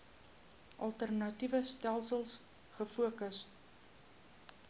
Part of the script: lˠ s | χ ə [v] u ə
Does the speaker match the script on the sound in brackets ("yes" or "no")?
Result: no